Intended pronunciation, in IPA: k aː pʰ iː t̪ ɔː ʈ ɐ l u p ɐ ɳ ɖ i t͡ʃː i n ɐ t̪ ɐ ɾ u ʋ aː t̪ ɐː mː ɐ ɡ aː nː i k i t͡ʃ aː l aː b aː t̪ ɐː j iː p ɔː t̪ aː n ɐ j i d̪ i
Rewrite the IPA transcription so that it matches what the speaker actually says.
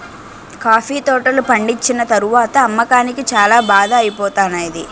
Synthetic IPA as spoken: k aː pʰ iː t̪ ɔː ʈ ɐ l u p ɐ ɳ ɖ i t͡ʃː i n ɐ t̪ ɐ ɾ u ʋ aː t̪ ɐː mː ɐ k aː n i k i t͡ʃ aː l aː b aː d̪ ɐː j i p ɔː t̪ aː n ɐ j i d̪ i